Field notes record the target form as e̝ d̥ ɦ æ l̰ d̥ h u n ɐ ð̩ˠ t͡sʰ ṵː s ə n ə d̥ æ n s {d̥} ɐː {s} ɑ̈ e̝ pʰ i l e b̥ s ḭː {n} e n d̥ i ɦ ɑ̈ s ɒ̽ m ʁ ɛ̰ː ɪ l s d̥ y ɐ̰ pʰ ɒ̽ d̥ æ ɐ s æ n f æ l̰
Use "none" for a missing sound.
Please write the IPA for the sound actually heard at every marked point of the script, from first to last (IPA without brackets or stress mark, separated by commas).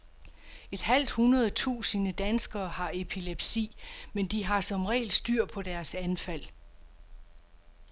ɡ̥, h, m